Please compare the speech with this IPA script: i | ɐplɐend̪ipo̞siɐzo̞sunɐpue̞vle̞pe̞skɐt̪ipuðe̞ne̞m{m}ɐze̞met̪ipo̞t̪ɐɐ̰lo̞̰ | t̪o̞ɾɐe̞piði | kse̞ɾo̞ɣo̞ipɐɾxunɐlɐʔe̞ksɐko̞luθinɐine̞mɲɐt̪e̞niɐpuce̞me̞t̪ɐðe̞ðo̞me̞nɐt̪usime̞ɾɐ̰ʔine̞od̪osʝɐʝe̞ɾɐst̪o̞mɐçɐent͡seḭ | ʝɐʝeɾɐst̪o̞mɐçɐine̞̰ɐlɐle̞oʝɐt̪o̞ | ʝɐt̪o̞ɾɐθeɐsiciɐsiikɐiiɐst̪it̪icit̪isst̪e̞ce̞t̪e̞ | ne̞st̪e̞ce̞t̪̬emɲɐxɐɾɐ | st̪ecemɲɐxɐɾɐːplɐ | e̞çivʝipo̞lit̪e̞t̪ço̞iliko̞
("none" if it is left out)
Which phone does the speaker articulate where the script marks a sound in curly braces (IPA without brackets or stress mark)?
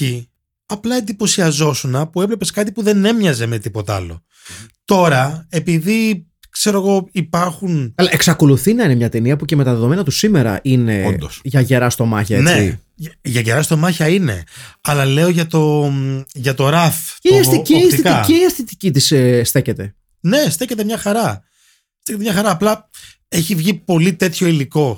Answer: ɲ